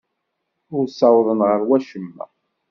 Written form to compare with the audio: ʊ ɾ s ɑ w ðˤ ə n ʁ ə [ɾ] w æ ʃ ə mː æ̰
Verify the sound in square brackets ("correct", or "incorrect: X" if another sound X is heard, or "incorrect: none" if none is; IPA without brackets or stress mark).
correct